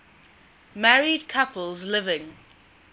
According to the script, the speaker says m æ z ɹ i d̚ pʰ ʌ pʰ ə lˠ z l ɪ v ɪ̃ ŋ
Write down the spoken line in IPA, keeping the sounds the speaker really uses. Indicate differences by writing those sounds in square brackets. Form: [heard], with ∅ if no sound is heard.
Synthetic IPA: m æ [∅] ɹ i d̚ [kʰ] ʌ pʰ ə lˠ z l ɪ v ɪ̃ ŋ